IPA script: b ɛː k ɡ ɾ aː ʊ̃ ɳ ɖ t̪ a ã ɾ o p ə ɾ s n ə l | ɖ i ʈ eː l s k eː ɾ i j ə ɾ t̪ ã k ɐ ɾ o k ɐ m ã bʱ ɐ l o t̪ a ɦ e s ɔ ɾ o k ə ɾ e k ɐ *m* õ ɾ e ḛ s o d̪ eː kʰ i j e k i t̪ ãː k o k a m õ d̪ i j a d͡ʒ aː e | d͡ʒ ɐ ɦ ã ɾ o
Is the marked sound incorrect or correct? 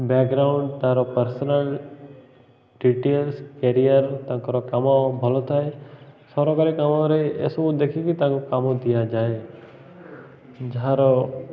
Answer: correct